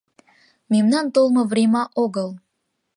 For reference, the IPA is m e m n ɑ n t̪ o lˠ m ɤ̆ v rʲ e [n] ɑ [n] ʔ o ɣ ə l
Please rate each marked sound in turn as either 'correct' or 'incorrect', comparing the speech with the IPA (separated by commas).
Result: incorrect, incorrect